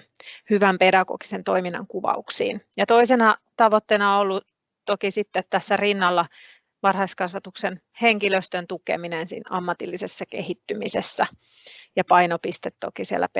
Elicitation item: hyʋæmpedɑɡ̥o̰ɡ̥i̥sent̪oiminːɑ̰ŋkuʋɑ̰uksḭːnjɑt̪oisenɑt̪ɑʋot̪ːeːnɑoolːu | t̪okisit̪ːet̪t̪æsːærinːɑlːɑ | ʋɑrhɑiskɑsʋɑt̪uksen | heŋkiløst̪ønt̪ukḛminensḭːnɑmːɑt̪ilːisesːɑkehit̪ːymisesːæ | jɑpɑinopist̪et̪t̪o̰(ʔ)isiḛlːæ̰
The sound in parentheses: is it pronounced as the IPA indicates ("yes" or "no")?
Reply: no